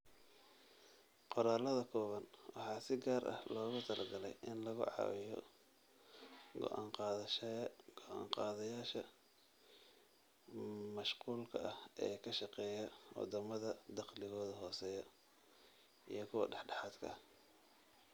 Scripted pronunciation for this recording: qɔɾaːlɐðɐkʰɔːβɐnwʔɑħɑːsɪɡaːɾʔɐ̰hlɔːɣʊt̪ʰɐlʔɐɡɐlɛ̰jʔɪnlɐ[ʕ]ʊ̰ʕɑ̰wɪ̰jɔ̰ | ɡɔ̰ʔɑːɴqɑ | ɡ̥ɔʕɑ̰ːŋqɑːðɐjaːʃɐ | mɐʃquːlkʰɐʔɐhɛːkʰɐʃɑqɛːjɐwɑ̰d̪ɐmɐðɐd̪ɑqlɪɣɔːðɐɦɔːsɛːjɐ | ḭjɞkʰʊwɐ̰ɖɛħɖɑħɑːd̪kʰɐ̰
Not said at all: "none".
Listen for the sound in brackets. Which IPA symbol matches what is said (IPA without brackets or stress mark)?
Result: ɣ